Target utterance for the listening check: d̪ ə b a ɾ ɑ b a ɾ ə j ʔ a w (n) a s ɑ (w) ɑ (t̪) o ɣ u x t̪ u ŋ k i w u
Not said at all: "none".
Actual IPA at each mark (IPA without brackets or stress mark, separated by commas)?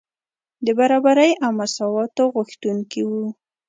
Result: m, w, t̪